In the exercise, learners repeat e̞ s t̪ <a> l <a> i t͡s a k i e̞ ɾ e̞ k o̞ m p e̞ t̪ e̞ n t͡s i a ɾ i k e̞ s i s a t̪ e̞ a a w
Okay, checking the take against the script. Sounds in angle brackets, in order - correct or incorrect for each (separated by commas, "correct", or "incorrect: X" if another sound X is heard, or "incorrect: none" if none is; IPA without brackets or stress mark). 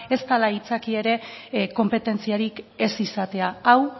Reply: correct, correct